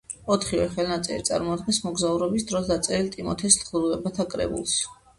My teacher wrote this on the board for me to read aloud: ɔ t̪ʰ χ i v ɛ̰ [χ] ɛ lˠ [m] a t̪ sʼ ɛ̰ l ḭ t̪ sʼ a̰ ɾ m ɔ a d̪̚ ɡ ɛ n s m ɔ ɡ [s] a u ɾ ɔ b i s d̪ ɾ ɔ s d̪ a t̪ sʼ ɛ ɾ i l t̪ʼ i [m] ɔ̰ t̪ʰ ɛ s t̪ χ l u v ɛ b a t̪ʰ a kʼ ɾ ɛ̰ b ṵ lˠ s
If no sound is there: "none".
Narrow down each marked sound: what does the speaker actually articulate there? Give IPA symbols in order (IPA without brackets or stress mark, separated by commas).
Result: χ, n, z, m